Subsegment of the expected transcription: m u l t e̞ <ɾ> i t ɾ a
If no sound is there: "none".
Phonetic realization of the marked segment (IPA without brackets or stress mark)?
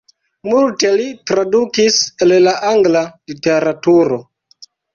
l